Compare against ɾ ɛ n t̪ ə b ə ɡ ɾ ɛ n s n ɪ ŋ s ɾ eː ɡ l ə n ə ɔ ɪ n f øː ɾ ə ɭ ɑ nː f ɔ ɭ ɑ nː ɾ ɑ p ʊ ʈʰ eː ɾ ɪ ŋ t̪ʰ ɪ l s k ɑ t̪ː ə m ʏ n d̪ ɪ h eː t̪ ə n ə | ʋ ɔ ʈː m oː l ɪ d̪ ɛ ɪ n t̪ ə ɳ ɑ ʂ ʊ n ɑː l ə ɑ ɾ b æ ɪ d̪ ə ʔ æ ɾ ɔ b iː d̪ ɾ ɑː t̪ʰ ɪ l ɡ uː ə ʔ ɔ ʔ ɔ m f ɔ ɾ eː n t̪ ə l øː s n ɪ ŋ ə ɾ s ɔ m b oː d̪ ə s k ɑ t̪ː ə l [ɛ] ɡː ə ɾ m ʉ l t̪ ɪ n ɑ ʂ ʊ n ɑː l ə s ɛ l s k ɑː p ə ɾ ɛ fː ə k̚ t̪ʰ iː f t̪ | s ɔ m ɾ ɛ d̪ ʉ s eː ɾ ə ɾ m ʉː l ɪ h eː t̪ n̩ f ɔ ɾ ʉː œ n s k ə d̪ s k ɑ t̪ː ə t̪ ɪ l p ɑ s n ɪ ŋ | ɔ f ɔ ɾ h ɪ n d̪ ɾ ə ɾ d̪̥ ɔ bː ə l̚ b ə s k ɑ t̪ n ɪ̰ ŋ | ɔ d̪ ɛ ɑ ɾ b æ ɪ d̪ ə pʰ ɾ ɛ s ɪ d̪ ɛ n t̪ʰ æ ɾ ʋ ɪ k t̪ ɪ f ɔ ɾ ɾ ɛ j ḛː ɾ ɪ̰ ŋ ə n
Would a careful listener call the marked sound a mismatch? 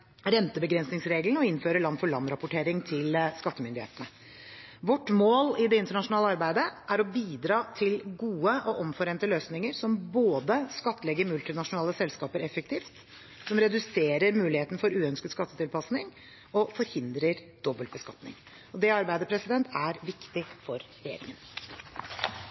no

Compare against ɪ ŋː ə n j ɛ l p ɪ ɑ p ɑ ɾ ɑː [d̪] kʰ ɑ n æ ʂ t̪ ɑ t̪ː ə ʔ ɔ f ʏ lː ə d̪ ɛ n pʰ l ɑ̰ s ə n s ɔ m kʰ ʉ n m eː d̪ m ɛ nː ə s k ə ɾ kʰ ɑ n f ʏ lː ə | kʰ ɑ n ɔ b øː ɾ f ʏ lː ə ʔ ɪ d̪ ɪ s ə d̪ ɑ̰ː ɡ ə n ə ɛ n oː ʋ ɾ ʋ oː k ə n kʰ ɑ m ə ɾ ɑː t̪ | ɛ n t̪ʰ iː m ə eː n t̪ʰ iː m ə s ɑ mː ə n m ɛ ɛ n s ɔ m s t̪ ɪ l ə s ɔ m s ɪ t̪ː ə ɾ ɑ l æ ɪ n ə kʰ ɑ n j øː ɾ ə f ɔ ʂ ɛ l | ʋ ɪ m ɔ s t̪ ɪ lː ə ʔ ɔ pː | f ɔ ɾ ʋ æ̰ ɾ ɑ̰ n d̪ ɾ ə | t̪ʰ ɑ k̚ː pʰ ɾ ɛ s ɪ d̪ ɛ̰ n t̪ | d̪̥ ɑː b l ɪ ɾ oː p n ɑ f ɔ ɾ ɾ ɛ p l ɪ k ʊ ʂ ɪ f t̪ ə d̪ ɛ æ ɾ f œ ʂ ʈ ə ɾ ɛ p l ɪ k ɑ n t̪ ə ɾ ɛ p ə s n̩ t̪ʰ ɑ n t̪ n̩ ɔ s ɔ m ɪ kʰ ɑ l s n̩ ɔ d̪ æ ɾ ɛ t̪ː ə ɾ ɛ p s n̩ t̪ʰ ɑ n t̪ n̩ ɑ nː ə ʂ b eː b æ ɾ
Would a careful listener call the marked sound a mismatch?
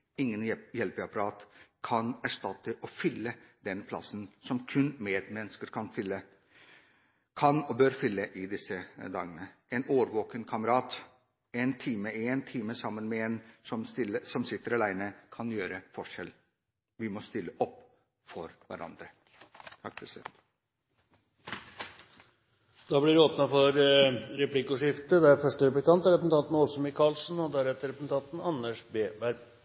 yes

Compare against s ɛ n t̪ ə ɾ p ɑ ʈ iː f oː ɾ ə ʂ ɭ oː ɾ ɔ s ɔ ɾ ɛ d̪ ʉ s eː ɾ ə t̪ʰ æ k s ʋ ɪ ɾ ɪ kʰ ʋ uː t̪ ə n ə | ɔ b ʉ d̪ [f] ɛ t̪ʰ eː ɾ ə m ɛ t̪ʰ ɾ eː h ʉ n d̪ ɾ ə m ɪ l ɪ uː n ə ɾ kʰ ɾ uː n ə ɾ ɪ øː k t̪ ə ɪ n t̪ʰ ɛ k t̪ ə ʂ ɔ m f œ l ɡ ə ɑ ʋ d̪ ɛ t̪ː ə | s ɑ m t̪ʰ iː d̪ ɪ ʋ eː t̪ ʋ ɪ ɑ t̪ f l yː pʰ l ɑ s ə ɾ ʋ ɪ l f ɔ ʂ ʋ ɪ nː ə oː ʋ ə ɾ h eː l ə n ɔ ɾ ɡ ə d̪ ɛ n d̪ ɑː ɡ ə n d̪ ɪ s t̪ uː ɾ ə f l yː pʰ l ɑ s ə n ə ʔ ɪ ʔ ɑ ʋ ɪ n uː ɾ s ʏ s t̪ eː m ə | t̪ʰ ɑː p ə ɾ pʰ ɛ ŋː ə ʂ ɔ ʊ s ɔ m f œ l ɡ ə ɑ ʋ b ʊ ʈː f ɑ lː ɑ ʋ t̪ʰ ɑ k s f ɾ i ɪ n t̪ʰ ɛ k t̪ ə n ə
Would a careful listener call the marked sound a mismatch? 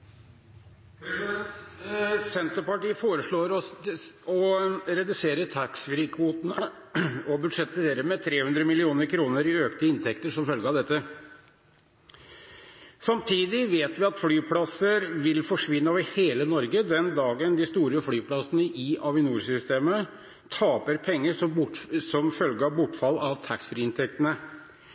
yes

